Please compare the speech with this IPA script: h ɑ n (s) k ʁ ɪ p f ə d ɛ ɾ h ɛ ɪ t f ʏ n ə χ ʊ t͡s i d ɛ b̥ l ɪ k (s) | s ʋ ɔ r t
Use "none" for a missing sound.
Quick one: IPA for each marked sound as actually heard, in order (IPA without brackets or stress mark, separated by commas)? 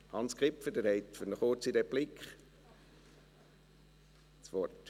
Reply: s, χ